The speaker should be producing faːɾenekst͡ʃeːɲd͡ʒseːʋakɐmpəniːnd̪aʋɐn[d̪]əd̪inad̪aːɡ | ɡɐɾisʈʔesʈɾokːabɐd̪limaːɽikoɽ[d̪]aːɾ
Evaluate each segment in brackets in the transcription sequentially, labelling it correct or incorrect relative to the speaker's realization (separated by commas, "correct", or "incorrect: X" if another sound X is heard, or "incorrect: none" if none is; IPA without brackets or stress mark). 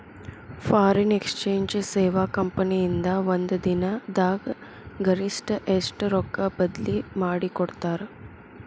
correct, incorrect: t̪